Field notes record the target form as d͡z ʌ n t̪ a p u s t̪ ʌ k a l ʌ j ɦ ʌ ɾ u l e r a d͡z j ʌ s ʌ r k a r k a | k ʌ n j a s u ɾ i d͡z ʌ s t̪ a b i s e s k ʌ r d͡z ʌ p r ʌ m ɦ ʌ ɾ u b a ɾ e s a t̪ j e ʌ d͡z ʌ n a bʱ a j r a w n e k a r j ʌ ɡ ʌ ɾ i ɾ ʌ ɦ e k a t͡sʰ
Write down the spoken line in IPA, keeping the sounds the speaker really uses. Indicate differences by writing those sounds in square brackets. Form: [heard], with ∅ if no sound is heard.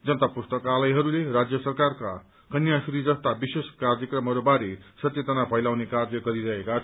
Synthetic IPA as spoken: d͡z ʌ n t̪ a p u s t̪ ʌ k a l ʌ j ɦ ʌ ɾ u l e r a d͡z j ʌ s ʌ r k a r k a | k ʌ n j a s u ɾ i d͡z ʌ s t̪ a b i s e s k [a] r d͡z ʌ [k] r ʌ m ɦ ʌ ɾ u b a ɾ e s [ʌ] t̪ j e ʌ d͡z ʌ n a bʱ [ʌ] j [l] a w n e k a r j ʌ ɡ ʌ ɾ i ɾ ʌ ɦ e k a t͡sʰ